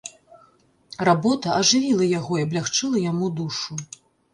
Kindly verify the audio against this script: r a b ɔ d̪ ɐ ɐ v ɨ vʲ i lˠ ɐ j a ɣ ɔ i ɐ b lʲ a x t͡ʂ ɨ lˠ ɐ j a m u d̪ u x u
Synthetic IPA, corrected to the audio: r a b ɔ t̪ ɐ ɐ ʐ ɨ vʲ i lˠ ɐ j a ɣ ɔ i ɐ b lʲ a x t͡ʂ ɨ lˠ ɐ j a m u d̪ u ʂ u